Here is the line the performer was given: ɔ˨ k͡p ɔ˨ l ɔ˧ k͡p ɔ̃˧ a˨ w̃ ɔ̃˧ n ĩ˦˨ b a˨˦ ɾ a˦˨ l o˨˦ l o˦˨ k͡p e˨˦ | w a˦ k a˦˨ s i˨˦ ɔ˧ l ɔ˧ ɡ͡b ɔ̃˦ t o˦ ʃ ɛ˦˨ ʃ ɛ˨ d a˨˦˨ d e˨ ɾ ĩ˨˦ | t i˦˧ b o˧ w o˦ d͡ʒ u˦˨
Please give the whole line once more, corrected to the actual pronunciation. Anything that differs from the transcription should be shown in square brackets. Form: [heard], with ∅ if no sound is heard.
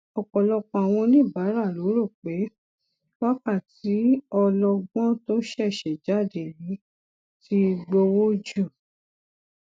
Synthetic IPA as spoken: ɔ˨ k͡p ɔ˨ l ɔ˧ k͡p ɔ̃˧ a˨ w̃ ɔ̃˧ n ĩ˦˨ b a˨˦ ɾ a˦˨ l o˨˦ [ɾ] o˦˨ k͡p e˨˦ | w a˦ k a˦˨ [t] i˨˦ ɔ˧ l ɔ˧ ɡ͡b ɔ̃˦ t o˦ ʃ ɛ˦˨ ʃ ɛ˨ [d͡ʒ] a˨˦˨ d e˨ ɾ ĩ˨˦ | t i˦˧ [ɡ͡b] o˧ w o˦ d͡ʒ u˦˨

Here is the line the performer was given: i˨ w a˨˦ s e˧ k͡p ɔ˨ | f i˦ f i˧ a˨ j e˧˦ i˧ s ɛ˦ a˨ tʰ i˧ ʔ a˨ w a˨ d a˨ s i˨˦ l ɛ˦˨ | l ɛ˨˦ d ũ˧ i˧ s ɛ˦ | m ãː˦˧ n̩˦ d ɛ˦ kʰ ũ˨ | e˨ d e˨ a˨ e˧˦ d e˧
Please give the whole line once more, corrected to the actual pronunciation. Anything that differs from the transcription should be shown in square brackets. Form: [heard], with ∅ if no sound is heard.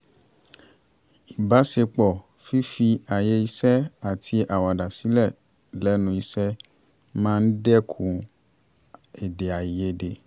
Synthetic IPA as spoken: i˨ [b] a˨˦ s e˧ k͡p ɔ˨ | f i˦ f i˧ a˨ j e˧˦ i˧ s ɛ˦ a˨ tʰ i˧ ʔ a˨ w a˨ d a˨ s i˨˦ l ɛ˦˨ | l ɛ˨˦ [n] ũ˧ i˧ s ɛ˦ | m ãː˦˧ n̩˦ d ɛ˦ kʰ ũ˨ | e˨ d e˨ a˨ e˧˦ d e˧

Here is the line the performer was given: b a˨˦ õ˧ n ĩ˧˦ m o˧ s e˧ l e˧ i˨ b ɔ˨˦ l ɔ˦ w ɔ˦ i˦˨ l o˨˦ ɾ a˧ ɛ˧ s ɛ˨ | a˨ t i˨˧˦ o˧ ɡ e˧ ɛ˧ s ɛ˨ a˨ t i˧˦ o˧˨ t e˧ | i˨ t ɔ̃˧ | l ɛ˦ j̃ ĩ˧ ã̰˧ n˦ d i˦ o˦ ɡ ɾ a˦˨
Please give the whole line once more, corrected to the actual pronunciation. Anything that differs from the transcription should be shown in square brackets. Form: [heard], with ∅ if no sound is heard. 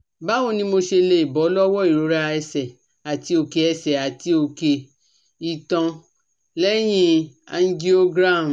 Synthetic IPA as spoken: b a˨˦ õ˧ n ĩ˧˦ m o˧ [ʃ] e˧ l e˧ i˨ b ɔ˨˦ l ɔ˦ w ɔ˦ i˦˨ [ɾ] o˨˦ ɾ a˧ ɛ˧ s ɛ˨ | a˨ t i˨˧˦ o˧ [k] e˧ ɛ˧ s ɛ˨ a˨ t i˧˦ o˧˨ [k] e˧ | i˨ t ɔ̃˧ | l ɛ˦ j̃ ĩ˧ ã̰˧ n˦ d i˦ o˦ ɡ ɾ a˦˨

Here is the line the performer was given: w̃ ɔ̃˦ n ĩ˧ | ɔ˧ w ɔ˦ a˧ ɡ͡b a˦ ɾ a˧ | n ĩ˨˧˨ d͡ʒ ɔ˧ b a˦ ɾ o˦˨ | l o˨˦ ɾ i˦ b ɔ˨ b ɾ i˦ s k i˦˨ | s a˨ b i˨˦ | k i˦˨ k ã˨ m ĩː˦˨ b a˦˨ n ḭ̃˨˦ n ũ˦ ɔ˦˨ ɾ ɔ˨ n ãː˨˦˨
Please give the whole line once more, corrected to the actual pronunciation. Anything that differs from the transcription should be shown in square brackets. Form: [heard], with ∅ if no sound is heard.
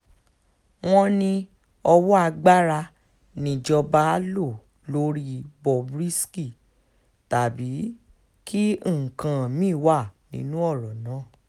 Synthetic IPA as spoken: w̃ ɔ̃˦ n ĩ˧ | ɔ˧ w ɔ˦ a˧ ɡ͡b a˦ ɾ a˧ | n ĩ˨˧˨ d͡ʒ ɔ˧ b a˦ [l] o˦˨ | l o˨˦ ɾ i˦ b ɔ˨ b ɾ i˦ s k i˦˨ | [t] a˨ b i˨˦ | k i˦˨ k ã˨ m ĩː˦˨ [w] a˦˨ n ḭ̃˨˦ n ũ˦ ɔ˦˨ ɾ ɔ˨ n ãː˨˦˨

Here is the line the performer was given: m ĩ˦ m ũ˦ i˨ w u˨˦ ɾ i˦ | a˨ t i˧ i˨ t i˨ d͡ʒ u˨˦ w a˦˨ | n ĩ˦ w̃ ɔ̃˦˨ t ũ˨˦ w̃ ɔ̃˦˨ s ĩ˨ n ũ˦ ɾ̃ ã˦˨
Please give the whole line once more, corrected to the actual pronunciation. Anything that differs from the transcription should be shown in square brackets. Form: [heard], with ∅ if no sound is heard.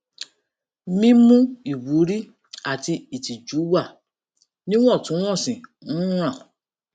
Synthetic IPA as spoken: m ĩ˦ m ũ˦ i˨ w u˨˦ ɾ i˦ | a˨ t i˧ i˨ t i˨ d͡ʒ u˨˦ w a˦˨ | n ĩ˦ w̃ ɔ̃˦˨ t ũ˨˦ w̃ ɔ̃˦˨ s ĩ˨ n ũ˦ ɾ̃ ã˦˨

